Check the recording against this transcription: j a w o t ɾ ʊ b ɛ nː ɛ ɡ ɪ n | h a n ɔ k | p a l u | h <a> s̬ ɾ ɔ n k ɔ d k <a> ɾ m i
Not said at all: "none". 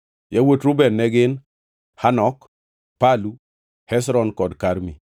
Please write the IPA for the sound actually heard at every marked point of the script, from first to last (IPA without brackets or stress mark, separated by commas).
ɛ, a